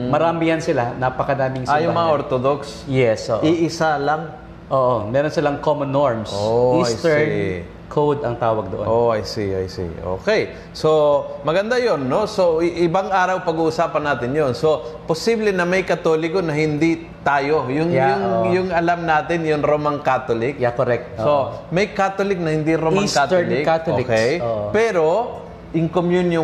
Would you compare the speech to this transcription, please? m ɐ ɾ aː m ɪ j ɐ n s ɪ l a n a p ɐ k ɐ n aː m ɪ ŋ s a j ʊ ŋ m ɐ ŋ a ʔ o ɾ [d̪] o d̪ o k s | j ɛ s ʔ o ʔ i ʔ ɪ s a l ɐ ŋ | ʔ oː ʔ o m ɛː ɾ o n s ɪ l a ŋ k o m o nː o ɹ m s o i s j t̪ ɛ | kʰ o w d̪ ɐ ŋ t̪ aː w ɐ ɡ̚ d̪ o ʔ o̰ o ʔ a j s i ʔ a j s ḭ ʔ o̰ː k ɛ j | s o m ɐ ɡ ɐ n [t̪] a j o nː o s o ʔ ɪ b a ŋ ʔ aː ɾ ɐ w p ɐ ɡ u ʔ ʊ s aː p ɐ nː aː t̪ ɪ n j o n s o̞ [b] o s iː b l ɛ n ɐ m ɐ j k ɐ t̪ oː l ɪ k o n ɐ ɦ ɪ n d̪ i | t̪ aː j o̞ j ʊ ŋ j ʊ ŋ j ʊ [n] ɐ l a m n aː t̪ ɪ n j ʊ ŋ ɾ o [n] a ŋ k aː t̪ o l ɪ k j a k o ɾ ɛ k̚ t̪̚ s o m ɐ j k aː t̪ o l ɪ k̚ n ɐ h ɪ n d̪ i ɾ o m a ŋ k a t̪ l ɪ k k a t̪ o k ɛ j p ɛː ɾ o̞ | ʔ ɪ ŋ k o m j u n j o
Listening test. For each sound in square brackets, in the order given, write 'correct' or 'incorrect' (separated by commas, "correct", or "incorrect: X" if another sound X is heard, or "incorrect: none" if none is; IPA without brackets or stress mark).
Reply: incorrect: t̪, incorrect: d̪, incorrect: p, incorrect: ŋ, incorrect: m